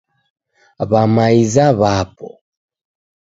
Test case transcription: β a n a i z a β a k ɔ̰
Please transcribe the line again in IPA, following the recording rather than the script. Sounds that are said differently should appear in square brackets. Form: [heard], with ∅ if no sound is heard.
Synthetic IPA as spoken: β a [m] a i z a β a [p] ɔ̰